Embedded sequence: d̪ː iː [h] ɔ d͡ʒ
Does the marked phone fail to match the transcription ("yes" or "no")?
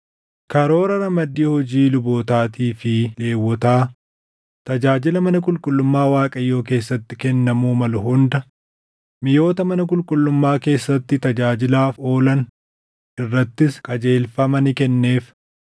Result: no